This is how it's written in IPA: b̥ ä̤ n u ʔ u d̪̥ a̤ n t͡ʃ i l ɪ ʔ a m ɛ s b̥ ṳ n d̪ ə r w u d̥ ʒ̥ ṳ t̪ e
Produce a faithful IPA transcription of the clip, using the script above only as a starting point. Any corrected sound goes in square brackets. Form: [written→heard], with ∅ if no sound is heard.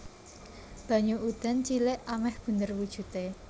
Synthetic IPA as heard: b̥ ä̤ [n→ɲ] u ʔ u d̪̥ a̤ n t͡ʃ i l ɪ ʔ a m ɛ [s→h] b̥ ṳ n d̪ ə r w u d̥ ʒ̥ ṳ t̪ e